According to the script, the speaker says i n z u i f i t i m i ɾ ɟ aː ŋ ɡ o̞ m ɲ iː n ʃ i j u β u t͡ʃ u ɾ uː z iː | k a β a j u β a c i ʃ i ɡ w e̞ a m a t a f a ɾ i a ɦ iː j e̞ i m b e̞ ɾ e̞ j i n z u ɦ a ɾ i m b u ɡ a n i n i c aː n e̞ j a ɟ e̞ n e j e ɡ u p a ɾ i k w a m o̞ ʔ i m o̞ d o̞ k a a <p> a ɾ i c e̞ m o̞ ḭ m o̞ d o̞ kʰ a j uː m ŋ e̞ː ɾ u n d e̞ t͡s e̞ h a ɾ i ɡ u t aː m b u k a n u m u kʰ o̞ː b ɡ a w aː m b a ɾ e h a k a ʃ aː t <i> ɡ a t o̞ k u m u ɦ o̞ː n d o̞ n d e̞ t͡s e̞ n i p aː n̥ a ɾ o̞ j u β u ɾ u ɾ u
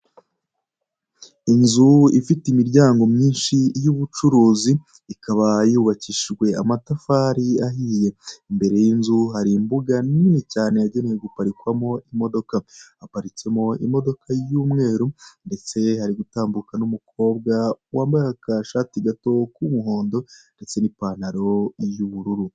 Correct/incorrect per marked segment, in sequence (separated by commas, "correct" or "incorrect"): correct, correct